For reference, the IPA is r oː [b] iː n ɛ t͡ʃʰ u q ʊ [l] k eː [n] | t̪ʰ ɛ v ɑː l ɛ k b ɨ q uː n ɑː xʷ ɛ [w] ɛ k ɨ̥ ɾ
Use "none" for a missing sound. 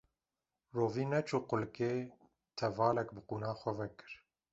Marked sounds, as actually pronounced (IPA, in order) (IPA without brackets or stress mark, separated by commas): v, l, none, v